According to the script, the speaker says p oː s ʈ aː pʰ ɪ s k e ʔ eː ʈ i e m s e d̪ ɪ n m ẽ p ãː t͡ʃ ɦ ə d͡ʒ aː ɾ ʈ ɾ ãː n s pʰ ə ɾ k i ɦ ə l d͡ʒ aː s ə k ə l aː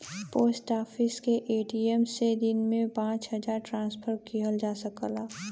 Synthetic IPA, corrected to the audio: p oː s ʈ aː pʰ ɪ s k e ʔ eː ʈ i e m s e d̪ ɪ n m ẽ p ãː t͡ʃ ɦ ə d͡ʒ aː ɾ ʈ ɾ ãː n s pʰ ə ɾ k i ɦ ə l d͡ʒ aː s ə k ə l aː